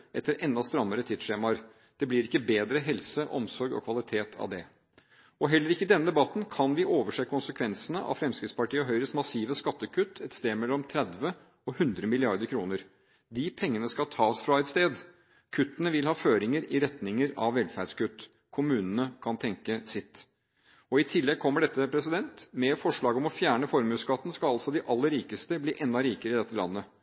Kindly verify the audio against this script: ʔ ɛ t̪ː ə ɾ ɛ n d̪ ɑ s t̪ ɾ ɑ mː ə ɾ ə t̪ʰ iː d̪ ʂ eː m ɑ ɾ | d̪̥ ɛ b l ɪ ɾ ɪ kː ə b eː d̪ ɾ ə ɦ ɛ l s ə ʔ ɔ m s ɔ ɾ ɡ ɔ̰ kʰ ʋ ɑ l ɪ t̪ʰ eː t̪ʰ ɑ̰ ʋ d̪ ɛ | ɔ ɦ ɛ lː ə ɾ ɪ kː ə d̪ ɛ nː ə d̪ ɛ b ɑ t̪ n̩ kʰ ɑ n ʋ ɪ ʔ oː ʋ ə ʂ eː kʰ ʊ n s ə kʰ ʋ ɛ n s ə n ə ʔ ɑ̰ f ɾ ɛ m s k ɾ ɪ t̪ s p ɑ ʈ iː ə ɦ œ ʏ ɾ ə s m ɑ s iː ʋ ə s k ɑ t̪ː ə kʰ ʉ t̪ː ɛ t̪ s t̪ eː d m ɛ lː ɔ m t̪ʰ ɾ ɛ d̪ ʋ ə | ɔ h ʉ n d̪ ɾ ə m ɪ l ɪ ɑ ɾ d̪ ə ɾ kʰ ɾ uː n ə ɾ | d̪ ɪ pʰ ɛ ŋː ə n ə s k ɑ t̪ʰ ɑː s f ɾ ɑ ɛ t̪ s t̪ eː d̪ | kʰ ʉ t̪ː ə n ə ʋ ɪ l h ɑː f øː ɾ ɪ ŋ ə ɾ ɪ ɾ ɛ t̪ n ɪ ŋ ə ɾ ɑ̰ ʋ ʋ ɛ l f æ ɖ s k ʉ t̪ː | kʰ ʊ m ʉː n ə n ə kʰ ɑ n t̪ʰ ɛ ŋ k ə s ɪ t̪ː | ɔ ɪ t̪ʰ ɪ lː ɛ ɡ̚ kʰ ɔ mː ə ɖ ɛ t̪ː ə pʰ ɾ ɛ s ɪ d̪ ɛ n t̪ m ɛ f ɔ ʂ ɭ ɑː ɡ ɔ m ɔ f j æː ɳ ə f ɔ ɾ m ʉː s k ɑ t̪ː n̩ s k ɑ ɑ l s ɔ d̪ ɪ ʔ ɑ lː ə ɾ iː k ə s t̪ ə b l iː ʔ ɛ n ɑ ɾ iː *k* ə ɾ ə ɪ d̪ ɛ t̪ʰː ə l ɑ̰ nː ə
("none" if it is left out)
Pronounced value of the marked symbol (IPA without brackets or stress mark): k